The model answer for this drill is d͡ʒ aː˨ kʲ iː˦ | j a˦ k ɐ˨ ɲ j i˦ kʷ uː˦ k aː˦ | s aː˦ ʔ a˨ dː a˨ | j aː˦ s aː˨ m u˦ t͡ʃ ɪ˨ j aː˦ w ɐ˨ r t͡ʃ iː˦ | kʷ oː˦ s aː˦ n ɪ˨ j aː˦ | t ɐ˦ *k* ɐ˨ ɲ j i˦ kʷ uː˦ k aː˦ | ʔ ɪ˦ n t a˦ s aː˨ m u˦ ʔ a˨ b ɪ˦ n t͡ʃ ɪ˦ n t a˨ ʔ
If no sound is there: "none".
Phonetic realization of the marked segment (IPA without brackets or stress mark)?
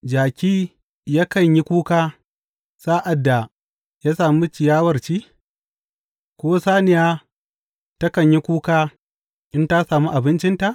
k